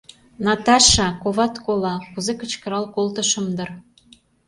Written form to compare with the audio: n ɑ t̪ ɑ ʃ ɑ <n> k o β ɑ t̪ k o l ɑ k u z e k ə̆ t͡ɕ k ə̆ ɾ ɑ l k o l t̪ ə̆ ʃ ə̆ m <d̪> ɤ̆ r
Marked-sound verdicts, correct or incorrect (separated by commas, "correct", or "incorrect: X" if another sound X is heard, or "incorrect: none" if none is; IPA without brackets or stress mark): incorrect: none, correct